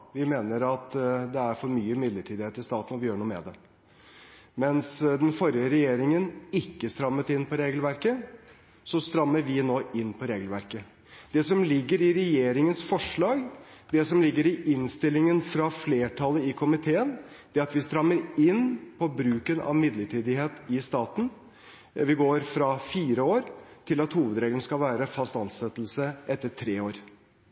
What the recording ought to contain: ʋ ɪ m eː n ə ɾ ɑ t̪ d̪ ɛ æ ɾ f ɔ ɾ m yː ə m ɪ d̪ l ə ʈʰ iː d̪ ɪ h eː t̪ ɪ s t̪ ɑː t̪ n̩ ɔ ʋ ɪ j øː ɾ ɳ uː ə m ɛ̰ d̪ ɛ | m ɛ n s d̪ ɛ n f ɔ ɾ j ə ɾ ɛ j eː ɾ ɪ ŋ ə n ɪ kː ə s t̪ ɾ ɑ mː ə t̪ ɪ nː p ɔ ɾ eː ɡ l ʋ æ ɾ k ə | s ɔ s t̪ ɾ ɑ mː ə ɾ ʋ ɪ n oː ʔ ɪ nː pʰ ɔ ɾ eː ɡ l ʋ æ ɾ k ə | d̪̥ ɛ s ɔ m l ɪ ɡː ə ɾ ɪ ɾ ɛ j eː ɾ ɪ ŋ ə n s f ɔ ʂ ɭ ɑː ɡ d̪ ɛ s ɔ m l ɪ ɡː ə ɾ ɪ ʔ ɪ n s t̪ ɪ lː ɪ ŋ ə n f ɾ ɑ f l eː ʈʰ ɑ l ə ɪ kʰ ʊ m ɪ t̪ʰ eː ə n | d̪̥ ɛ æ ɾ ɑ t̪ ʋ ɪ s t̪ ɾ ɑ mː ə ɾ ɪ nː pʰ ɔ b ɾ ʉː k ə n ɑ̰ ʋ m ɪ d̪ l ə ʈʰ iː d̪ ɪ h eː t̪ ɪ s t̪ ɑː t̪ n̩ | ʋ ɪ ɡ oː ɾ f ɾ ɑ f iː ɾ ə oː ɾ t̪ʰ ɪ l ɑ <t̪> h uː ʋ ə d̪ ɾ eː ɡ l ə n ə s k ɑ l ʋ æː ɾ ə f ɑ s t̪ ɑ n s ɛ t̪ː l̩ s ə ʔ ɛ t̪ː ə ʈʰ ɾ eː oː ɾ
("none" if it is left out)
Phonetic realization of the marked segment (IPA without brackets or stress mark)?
t̪